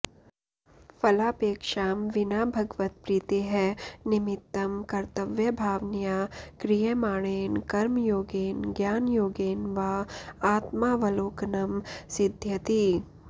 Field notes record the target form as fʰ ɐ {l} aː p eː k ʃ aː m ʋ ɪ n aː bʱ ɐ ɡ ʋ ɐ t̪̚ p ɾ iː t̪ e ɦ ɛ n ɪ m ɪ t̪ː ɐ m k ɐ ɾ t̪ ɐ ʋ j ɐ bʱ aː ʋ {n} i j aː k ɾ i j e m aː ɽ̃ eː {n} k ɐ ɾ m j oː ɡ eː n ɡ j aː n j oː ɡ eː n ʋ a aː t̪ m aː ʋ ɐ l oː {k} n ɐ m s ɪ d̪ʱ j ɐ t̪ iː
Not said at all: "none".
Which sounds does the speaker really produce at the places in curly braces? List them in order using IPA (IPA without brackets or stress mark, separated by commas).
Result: l, n, n, k